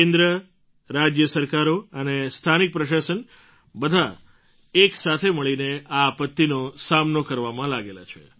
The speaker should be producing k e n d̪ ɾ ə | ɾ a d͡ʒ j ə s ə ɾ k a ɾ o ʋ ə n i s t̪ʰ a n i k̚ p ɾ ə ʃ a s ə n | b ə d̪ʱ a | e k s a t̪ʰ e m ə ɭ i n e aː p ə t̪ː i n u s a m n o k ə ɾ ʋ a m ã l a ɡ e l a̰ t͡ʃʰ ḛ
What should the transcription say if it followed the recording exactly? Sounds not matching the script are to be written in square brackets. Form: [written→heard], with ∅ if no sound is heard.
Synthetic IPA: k e n d̪ ɾ ə | ɾ a d͡ʒ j ə s ə ɾ k a ɾ o [ʋ→∅] ə n [i→e] s t̪ʰ a n i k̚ p ɾ ə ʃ a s ə n | b ə d̪ʱ a | e k s a t̪ʰ e m ə ɭ i n e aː p ə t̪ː i n [u→o] s a m n o k ə ɾ ʋ a m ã l a ɡ e l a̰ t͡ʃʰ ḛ